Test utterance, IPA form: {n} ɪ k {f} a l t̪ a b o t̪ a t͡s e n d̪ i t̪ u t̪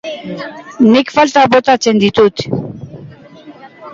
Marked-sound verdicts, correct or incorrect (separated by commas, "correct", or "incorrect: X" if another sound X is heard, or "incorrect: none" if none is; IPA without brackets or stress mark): correct, correct